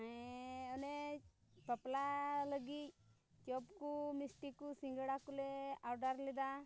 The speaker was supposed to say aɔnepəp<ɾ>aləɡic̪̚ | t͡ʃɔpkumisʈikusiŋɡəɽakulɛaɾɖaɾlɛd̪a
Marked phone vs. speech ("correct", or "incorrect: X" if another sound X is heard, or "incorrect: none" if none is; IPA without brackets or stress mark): incorrect: l